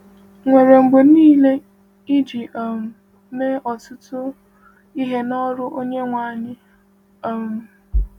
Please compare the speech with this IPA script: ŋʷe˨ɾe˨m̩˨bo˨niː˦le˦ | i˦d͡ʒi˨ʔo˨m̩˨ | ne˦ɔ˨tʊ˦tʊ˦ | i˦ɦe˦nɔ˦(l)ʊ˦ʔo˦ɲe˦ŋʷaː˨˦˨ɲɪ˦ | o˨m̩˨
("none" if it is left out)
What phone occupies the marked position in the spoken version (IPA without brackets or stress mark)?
ɾ